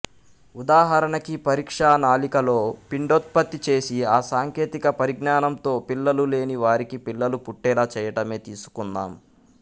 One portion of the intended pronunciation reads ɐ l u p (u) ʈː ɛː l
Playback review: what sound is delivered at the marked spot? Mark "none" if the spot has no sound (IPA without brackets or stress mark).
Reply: u